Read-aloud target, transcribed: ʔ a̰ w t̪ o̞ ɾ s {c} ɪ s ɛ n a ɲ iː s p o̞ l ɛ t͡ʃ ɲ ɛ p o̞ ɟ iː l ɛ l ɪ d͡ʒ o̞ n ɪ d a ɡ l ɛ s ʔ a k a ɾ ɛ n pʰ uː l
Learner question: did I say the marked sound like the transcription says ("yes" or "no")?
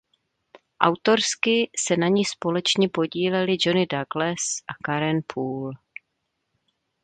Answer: no